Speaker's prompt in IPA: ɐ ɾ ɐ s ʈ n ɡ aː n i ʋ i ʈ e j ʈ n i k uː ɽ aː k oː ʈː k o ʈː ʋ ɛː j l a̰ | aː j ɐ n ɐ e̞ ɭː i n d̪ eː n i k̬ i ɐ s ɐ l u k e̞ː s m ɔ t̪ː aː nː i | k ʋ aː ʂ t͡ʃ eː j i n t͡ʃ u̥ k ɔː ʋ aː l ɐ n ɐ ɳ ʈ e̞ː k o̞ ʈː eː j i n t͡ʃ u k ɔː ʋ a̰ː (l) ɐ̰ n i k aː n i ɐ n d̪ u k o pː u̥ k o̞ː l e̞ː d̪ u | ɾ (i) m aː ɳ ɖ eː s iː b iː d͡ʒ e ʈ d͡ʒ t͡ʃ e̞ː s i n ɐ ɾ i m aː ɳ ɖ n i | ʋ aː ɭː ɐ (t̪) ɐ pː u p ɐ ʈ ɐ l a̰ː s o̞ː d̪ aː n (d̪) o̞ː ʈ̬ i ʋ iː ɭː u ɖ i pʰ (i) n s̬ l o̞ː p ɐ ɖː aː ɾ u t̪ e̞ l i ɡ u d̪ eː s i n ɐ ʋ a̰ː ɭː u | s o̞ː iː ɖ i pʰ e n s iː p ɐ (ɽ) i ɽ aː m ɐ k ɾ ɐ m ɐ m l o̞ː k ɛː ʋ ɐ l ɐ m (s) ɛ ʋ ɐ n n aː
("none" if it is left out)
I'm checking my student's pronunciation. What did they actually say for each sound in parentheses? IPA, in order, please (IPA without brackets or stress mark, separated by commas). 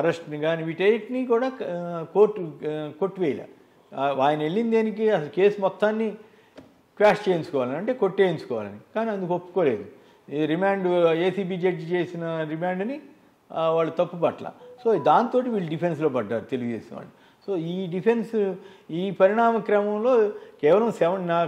l, i, t̪, t̪, e, ɾ, s